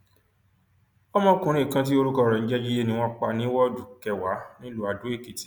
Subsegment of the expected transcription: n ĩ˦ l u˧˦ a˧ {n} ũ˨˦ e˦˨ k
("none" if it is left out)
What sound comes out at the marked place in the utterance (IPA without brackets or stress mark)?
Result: d